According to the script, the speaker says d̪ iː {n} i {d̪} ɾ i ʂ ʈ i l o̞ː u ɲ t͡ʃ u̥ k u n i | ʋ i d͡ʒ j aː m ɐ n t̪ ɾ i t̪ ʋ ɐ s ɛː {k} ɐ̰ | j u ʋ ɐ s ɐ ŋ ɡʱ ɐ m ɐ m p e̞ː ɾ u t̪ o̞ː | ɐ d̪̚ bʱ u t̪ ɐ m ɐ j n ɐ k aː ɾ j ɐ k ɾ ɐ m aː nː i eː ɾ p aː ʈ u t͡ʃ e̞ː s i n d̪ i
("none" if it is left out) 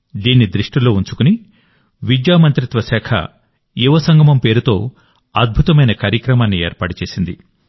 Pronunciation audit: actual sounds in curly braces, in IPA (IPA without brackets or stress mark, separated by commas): nː, d̪, kʰ